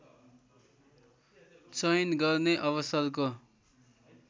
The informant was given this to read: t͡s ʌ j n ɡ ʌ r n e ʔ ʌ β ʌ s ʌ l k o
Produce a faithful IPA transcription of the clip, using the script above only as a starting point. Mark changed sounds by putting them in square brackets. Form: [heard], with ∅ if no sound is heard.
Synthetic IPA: t͡s ʌ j n ɡ ʌ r n e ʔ ʌ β ʌ s ʌ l k o